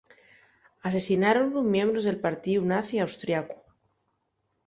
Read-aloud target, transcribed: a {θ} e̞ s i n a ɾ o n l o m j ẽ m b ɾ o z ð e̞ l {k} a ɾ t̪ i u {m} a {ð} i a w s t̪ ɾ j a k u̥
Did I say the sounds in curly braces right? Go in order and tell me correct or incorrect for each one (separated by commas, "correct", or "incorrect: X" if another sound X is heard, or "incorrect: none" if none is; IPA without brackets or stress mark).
incorrect: s, incorrect: p, incorrect: n, incorrect: θ